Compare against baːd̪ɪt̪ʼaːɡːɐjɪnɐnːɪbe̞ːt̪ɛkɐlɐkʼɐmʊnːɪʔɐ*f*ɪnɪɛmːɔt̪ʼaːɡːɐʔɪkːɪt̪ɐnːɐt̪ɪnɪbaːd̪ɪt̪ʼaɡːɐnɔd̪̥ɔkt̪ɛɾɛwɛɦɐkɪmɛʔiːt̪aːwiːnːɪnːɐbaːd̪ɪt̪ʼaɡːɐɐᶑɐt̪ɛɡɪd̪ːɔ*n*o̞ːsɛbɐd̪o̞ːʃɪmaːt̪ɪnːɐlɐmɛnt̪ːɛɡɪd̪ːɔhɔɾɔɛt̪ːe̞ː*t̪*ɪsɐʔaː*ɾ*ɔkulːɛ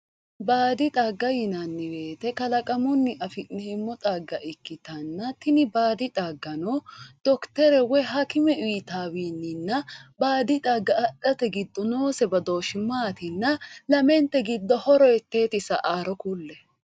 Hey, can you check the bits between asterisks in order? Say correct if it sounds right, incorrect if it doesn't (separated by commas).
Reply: correct, correct, correct, correct